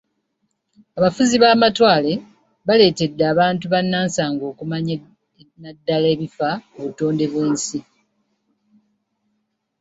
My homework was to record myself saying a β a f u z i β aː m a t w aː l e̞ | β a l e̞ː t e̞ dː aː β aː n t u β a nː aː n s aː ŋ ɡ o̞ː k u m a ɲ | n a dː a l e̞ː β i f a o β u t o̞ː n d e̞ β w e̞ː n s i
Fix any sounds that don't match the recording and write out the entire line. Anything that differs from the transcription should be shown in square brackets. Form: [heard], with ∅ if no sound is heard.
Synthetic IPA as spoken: a β a f u z i β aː m a t w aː l e̞ | β a l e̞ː t e̞ dː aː β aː n t u β a nː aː n s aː ŋ ɡ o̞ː k u m a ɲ | n a dː a l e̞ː β i f a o β u t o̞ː n d e̞ β w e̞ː n s i